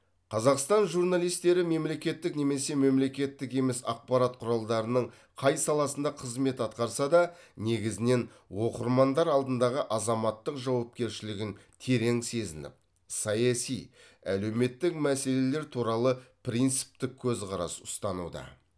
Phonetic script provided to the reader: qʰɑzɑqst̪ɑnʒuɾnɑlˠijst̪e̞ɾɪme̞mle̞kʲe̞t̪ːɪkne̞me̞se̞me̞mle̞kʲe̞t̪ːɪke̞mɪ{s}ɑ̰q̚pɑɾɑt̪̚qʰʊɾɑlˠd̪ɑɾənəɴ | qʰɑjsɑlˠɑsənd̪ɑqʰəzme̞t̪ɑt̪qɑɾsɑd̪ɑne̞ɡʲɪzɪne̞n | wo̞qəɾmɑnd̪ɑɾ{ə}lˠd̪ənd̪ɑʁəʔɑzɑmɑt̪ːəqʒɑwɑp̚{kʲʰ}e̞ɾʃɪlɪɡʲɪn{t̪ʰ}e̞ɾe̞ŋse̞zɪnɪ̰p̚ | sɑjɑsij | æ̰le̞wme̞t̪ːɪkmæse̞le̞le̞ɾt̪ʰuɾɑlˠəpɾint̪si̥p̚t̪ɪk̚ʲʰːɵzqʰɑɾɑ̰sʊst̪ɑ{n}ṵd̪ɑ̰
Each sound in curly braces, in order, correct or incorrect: correct, incorrect: ɑ, incorrect: kʲ, correct, correct

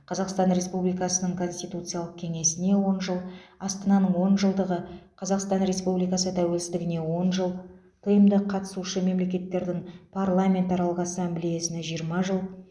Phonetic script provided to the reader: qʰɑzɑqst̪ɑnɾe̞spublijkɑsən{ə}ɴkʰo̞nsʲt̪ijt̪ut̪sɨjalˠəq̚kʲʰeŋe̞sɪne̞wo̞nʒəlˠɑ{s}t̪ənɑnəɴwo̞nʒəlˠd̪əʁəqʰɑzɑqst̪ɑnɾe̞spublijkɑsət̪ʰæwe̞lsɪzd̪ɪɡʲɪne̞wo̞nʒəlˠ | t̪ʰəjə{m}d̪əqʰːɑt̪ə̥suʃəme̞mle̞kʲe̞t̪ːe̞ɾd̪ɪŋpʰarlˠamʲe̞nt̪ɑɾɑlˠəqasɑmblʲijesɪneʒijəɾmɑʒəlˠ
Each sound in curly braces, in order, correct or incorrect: correct, correct, correct

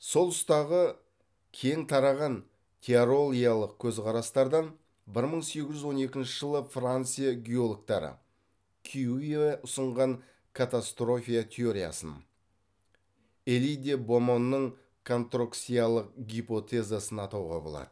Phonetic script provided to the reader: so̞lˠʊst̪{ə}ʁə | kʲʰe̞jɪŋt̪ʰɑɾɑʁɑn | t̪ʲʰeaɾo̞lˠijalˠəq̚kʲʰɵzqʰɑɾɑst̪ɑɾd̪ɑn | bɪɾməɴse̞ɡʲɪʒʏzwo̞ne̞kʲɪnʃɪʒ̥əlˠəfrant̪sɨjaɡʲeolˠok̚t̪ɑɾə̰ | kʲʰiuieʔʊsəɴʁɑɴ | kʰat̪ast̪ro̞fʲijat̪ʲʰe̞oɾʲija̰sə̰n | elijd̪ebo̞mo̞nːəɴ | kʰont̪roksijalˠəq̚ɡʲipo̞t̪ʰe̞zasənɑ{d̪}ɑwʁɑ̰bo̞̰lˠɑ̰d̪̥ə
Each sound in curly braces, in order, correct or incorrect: incorrect: ɑ, incorrect: t̪

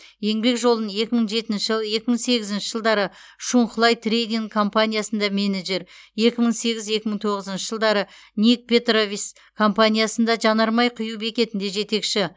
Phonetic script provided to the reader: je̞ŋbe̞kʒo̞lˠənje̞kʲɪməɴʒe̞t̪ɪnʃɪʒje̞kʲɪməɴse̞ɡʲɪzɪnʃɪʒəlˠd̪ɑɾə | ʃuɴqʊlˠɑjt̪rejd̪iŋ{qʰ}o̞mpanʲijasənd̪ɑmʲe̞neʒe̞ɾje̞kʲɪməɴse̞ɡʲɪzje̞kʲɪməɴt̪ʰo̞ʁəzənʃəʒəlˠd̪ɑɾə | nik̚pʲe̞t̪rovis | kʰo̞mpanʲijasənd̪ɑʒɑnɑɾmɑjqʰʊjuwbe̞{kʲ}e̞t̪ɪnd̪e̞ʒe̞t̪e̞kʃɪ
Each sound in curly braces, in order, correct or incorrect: incorrect: kʰ, correct

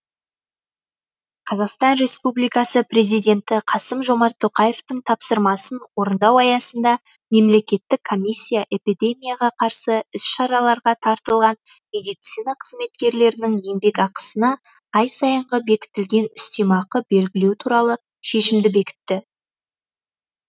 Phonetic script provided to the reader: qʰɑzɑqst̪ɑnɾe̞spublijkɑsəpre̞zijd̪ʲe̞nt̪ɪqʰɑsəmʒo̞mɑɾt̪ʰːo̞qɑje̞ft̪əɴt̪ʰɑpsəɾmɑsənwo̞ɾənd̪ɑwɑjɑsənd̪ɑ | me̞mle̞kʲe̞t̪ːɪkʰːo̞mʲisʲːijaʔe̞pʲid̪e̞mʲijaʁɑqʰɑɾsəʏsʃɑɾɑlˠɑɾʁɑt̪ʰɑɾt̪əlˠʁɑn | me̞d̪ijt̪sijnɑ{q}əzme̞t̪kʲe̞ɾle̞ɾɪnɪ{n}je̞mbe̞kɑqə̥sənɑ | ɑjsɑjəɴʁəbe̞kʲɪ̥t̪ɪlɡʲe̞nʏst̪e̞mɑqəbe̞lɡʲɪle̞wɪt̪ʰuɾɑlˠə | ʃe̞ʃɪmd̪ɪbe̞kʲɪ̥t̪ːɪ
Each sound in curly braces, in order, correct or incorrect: incorrect: qʰ, incorrect: ŋ

